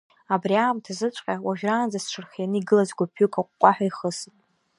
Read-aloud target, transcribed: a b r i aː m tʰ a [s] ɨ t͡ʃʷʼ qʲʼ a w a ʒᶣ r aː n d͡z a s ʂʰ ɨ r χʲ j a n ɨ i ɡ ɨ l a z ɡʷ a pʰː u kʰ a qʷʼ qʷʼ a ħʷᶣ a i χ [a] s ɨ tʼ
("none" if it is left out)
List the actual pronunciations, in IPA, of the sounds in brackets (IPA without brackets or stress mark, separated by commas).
z, ə